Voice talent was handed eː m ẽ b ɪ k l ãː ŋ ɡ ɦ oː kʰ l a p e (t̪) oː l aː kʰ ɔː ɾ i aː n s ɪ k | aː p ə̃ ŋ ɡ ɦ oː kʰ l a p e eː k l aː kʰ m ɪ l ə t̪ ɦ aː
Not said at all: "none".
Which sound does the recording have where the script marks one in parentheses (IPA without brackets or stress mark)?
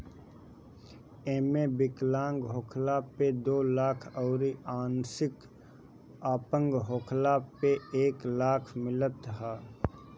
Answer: d̪